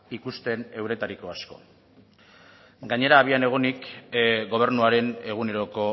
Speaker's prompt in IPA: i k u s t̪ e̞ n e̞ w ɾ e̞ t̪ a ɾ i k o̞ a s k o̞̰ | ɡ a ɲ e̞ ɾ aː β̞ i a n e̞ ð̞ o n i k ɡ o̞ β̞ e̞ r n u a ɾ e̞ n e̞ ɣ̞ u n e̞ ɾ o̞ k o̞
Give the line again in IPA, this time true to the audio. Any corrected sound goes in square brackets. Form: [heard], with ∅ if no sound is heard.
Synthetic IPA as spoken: i k u s t̪ e̞ n e̞ w ɾ e̞ t̪ a ɾ i k o̞ a s k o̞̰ | ɡ a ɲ e̞ ɾ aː β̞ i a n e̞ [ɣ̞] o n i k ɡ o̞ β̞ e̞ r n u a ɾ e̞ n e̞ ɣ̞ u n e̞ ɾ o̞ k o̞